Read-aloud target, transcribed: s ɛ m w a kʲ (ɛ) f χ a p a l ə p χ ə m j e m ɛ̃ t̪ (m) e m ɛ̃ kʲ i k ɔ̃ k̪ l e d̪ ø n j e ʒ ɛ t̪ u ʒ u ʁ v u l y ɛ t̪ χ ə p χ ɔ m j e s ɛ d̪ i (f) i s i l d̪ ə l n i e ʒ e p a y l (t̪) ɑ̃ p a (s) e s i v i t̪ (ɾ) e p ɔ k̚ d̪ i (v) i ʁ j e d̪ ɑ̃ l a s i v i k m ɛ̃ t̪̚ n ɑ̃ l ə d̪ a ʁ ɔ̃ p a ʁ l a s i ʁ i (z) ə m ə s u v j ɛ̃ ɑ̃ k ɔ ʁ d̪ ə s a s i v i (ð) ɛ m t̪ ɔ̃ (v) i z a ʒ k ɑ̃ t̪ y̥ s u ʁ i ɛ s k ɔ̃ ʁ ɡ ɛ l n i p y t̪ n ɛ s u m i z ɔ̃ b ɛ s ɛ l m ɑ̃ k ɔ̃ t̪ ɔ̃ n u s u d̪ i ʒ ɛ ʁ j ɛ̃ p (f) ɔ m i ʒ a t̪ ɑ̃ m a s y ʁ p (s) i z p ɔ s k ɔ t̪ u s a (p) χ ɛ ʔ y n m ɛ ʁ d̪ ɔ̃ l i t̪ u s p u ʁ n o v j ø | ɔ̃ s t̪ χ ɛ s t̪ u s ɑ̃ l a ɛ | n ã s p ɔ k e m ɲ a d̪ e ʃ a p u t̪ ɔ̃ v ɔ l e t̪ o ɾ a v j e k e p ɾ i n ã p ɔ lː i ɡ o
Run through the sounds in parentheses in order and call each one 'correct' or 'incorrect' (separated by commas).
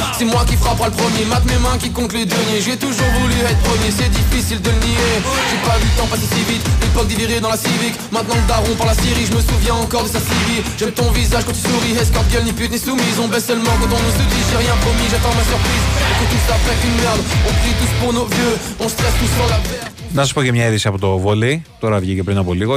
incorrect, correct, correct, correct, correct, incorrect, correct, incorrect, incorrect, correct, incorrect, incorrect, correct